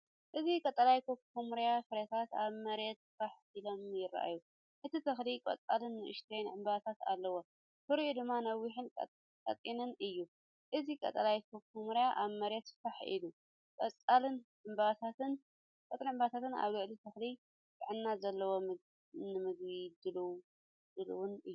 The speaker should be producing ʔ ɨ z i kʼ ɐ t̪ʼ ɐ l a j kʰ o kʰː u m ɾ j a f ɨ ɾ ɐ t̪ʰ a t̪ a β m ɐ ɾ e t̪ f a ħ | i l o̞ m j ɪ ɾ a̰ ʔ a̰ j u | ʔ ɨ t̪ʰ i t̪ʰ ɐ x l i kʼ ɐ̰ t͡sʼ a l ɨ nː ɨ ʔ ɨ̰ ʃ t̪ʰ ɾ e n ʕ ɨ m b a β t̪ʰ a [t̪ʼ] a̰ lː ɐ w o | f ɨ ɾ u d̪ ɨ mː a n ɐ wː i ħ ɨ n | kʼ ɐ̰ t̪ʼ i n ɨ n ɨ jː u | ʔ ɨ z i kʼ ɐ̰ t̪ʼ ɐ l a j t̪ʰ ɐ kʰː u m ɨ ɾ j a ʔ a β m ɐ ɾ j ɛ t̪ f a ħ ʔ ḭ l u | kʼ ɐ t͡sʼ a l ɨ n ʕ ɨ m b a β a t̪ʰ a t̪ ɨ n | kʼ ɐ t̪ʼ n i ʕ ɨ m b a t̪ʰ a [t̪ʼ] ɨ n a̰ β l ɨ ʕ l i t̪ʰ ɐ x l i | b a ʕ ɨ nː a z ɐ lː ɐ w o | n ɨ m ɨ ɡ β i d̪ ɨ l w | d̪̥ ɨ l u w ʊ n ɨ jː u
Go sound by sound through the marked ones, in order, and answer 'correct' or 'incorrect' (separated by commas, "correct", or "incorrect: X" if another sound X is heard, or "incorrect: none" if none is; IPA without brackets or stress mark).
incorrect: t̪, incorrect: t̪